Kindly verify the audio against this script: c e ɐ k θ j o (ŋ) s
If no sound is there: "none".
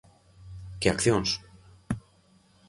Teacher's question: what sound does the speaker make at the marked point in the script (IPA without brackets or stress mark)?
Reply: n